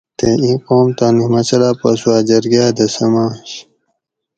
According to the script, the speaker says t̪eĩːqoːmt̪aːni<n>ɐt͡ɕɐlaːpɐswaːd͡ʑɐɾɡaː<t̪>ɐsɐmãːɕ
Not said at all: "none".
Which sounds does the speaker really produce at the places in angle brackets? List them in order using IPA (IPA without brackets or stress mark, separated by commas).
m, d̪